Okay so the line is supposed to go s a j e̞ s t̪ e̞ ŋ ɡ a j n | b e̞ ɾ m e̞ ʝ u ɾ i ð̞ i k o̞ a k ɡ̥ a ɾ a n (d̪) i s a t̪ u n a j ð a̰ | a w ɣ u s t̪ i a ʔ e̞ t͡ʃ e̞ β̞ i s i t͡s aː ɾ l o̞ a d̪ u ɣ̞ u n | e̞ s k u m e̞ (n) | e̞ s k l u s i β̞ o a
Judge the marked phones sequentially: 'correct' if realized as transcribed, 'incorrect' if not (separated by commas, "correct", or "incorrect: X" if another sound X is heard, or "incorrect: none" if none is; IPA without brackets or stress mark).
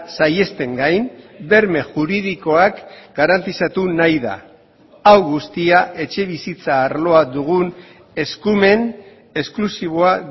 incorrect: t̪, correct